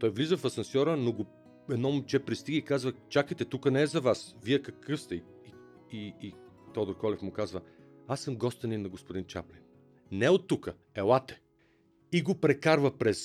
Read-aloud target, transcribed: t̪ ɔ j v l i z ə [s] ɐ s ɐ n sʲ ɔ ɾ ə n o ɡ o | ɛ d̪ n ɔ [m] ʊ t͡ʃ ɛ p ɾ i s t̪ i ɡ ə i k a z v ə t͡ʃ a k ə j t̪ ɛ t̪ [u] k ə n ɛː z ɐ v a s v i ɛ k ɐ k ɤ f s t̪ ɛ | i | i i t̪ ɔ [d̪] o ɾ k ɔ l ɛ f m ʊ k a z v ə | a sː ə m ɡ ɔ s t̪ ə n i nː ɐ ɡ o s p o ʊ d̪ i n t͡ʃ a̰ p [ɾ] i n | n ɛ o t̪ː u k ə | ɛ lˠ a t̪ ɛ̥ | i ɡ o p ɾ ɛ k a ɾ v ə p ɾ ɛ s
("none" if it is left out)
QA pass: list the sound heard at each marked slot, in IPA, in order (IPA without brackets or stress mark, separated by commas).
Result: f, m, u, d̪, l